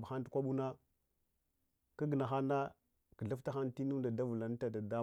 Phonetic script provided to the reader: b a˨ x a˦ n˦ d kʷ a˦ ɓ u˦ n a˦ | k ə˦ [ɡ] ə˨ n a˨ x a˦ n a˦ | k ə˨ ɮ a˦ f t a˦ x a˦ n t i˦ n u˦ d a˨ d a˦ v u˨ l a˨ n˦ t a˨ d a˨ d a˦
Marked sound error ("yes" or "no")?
no